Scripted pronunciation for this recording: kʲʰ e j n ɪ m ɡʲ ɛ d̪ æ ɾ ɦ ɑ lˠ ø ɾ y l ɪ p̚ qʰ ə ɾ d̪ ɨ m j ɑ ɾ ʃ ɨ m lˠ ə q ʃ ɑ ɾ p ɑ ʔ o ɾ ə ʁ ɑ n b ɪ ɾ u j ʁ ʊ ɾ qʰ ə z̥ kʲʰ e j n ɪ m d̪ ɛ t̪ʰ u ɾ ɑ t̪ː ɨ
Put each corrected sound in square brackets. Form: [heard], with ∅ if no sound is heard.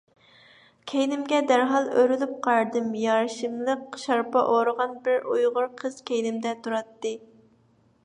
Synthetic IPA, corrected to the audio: kʲʰ e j n ɪ m ɡʲ ɛ d̪ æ ɾ ɦ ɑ lˠ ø ɾ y l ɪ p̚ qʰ [ɑ] ɾ d̪ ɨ m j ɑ ɾ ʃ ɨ m lˠ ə q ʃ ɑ ɾ p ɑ ʔ o ɾ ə ʁ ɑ n b ɪ ɾ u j ʁ ʊ ɾ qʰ ə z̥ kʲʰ e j n ɪ m d̪ ɛ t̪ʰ u ɾ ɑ t̪ː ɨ